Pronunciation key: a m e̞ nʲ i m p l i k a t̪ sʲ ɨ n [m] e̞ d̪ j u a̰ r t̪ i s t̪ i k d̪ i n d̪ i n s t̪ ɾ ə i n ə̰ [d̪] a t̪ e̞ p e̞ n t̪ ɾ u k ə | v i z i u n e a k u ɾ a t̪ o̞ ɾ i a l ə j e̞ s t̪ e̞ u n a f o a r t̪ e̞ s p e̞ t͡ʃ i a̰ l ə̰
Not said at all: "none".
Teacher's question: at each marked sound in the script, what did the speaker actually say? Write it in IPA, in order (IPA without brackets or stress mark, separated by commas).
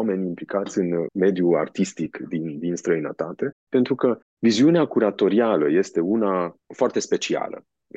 m, t̪